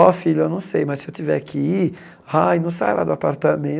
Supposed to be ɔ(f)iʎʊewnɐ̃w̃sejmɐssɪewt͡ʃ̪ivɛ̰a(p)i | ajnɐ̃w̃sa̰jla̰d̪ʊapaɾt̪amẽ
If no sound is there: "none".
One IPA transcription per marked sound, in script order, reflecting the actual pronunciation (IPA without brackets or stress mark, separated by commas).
f, k